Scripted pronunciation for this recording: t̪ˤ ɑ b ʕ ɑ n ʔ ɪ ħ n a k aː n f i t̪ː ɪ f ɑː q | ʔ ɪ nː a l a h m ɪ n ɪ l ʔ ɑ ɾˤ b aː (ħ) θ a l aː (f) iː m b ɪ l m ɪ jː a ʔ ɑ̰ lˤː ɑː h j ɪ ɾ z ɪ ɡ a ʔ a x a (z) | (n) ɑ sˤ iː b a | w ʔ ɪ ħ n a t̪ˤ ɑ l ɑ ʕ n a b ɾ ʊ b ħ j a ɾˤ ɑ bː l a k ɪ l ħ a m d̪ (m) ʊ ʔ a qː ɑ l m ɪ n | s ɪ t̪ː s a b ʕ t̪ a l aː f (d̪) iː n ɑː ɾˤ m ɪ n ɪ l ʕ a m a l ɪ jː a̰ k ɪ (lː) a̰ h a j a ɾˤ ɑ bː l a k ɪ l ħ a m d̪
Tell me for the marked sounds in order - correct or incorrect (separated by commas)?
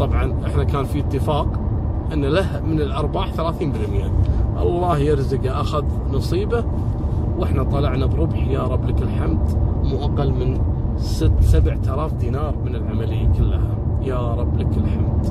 correct, incorrect, incorrect, correct, correct, correct, correct